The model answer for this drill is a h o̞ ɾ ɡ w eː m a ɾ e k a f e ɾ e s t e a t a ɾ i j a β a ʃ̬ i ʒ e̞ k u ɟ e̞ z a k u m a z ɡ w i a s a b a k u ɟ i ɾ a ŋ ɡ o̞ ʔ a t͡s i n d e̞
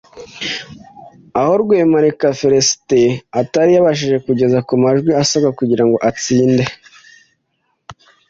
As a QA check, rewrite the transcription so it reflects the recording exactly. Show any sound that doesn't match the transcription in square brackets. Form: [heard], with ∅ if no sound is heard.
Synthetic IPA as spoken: a h o̞ ɾ ɡ w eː m a ɾ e k a f e ɾ e s t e a t a ɾ i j a β a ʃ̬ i ʒ e̞ k u ɟ e̞ z a k u m a [ʒ] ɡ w i a s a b a k u ɟ i ɾ a ŋ ɡ o̞ ʔ a t͡s [iː] n d e̞